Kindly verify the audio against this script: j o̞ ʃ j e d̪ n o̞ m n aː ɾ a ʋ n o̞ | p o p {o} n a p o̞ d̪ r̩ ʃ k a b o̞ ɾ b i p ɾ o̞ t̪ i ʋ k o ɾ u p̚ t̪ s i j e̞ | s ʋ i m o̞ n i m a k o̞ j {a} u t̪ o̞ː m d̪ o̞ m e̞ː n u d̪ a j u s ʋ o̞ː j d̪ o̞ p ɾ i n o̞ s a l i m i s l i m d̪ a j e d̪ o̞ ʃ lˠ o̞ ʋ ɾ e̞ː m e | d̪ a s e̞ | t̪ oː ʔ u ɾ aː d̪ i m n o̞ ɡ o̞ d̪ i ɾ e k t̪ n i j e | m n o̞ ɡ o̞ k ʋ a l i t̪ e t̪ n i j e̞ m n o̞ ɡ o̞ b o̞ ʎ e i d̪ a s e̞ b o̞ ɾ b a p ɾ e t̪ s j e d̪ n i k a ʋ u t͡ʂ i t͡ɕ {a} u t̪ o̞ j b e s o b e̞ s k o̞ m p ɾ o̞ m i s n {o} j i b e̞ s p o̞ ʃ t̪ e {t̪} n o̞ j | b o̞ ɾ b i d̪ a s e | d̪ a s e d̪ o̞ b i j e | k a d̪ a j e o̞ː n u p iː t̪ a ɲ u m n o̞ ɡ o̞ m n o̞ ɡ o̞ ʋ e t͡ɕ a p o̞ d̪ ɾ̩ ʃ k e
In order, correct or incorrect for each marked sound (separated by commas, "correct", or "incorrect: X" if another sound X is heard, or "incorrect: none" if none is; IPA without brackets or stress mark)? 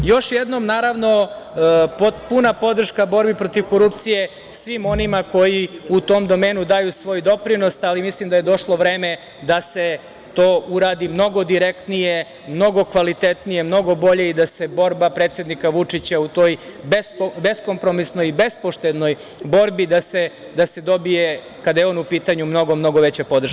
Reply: incorrect: u, incorrect: i, correct, correct, incorrect: d̪